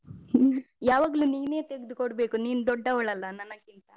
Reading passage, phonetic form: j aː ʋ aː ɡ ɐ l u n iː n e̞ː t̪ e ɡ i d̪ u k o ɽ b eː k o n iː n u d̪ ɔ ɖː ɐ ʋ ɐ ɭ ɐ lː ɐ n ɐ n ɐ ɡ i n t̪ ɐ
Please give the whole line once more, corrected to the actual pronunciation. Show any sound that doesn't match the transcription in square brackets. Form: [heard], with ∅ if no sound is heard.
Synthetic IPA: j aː ʋ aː ɡ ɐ l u n iː n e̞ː t̪ e ɡ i d̪ u k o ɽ b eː k [u] n iː n u d̪ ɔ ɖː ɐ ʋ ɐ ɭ ɐ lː ɐ n ɐ n ɐ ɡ i n t̪ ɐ